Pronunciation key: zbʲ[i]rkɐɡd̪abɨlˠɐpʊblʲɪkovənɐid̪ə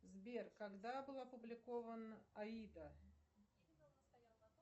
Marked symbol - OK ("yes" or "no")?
no